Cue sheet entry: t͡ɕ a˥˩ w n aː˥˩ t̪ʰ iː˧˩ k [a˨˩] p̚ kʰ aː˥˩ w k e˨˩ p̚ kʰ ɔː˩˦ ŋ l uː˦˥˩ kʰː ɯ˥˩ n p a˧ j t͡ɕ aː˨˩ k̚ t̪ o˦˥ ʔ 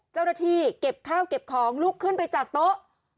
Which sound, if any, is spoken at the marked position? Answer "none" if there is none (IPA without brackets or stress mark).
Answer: e˨˩